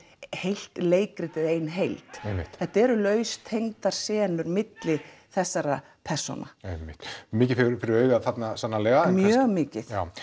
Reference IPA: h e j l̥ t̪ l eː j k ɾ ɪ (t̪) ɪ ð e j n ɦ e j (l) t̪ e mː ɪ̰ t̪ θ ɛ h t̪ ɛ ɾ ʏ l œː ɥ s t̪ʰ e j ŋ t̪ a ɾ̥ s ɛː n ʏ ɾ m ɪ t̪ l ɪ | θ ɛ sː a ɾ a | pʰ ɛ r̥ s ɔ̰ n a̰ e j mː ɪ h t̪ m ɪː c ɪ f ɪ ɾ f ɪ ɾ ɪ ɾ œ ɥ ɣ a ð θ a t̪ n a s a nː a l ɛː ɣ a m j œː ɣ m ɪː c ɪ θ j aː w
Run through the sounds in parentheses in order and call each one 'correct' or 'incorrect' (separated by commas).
correct, correct